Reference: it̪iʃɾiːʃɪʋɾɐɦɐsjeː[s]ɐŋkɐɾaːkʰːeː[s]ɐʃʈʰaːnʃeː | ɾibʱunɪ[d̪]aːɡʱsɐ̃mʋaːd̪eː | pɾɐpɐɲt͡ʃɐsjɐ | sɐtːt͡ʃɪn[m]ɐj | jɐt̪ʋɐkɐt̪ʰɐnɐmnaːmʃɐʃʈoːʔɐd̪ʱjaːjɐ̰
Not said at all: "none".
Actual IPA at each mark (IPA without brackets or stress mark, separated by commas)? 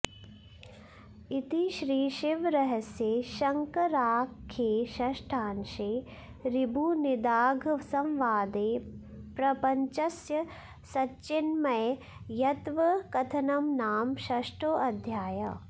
ʃ, ʃ, d̪, m